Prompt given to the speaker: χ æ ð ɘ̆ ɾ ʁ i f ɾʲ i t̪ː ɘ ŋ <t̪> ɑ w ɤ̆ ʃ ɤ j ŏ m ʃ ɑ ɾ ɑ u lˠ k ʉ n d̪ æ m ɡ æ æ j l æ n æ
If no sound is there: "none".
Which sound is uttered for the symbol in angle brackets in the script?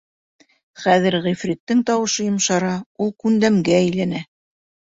t̪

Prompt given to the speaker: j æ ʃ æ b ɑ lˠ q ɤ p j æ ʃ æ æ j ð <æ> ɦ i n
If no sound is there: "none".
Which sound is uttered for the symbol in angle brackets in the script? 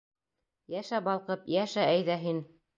æ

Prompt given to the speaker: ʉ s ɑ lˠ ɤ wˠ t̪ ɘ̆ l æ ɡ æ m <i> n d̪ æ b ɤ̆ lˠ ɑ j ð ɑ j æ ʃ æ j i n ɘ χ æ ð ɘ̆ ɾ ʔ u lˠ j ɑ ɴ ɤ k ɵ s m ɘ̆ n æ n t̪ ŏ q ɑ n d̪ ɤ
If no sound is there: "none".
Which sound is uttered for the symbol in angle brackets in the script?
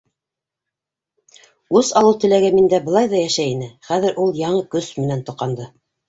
i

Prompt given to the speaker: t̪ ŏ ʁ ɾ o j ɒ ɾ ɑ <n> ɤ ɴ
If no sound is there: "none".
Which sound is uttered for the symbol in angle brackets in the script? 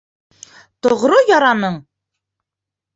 n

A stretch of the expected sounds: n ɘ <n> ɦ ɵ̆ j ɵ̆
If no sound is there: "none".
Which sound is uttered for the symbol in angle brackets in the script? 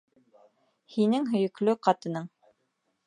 ŋ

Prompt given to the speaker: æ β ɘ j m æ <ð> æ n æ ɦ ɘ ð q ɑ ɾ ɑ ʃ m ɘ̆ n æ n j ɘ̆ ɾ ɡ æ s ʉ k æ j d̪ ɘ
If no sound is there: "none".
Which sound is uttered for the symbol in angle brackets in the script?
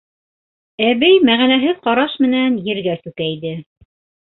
ʁ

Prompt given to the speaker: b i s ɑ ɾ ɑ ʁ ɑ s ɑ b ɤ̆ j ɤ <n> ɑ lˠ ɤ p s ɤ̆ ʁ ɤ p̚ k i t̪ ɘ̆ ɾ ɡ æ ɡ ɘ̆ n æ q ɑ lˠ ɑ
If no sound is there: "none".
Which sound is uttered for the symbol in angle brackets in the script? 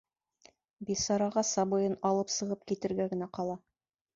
n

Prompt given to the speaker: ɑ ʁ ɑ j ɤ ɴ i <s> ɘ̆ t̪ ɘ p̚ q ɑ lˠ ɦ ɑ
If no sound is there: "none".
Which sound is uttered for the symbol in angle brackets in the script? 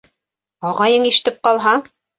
ʃ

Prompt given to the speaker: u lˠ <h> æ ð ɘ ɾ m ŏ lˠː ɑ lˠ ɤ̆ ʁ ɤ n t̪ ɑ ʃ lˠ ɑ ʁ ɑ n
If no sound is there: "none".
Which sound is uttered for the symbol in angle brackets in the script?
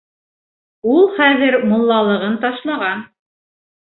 χ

